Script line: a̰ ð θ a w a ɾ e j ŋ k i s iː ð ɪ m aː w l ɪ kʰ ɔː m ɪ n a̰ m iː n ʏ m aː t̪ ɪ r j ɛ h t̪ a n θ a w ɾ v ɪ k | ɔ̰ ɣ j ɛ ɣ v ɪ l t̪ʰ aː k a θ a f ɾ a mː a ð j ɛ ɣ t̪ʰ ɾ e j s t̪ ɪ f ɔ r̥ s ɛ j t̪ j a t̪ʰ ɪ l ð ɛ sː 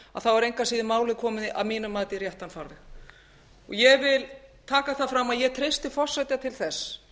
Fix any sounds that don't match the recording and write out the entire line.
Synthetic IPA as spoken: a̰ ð θ a w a ɾ e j ŋ k a s iː ð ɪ m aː w l ɪ kʰ ɔː m ɪ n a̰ m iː n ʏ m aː t̪ ɪ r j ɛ h t̪ a n f a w ɾ ð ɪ x | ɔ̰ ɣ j ɛ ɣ v ɪ l t̪ʰ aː k a θ a f ɾ a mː a ð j ɛ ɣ t̪ʰ ɾ e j s t̪ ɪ f ɔ r̥ s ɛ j t̪ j a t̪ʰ ɪ l θ ɛ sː